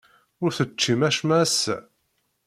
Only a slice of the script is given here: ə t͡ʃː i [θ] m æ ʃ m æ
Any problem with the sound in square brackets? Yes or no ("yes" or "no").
yes